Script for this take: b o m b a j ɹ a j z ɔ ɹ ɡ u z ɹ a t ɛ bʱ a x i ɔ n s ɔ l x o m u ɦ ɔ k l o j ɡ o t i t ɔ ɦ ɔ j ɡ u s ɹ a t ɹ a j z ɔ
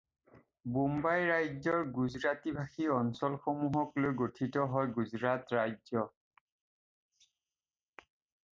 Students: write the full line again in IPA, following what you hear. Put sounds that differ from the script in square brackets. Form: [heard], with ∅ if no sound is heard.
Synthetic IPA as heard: b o m b a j ɹ a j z ɔ ɹ ɡ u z ɹ a t [i] bʱ a x i ɔ n s ɔ l x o m u ɦ ɔ k l o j ɡ o [tʰ] i t ɔ ɦ ɔ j ɡ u [z] ɹ a t ɹ a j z ɔ